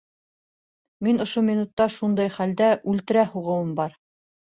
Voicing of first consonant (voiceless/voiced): voiced